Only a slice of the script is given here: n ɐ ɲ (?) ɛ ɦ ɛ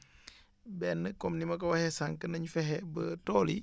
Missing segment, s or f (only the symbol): f